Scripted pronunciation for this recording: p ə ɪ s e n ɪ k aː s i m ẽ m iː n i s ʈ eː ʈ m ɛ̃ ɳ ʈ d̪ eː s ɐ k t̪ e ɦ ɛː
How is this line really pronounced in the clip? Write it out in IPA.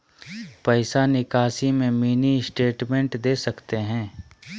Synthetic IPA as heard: p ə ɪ s a n ɪ k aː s i m ẽ m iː n i s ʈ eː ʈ m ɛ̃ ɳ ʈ d̪ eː s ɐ k t̪ e ɦ ɛ̃ː